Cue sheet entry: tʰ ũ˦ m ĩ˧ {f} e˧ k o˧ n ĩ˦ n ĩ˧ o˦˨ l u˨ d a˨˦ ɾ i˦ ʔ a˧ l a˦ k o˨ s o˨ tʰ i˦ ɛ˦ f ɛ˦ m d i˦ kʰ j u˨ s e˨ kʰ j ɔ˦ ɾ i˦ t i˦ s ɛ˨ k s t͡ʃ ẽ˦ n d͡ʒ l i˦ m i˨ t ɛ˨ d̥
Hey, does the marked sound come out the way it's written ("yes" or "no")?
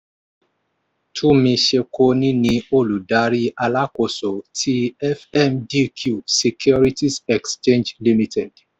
no